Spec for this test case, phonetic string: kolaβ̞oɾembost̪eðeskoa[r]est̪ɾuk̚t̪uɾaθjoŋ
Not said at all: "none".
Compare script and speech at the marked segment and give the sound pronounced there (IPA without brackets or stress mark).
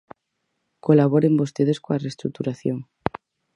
r